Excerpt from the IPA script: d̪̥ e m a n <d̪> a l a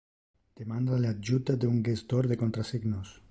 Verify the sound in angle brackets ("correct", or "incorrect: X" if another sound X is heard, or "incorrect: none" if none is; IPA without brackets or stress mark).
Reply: correct